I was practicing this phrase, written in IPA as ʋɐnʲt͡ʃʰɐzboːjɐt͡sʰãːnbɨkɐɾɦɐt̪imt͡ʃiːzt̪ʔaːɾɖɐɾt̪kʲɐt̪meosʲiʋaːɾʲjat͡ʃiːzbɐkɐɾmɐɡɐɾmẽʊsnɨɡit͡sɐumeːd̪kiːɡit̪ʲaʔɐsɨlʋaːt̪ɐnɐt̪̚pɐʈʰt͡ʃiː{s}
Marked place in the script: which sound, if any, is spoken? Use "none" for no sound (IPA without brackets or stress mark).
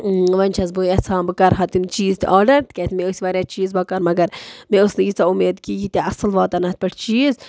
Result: z